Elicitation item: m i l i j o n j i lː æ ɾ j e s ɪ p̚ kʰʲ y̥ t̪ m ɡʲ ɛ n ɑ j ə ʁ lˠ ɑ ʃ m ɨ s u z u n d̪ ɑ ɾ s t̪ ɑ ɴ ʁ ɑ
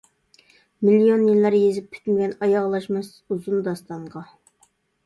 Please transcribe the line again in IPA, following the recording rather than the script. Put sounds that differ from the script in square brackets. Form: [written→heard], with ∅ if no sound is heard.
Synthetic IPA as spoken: m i l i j o n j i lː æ ɾ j e [s→z] ɪ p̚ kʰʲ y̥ t̪ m ɡʲ ɛ n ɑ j [ə→ɑ] ʁ lˠ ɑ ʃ m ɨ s u z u n d̪ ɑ [ɾ→∅] s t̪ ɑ ɴ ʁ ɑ